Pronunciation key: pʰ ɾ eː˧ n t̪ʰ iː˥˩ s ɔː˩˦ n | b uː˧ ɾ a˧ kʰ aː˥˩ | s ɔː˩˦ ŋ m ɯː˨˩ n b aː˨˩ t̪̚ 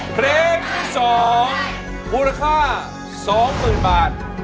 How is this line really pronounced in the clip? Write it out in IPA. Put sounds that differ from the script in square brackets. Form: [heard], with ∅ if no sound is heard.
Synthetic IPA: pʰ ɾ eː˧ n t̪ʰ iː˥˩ s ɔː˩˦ [ŋ] | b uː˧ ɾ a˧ kʰ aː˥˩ | s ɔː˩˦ ŋ m ɯː˨˩ n b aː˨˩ t̪̚